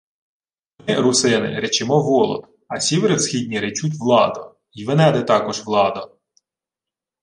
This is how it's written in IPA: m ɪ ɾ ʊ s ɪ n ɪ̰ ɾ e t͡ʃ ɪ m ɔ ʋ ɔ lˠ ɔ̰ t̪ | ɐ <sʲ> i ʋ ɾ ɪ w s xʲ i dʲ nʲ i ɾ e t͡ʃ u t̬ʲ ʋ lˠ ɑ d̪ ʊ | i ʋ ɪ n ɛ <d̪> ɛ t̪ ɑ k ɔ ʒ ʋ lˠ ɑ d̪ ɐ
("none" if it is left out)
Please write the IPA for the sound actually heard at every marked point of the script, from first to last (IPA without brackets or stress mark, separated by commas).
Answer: sʲ, d̪